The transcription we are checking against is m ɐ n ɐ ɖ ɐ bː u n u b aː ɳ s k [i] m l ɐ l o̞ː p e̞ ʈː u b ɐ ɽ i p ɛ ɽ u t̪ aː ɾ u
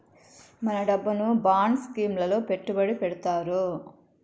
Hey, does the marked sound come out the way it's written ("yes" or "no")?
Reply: no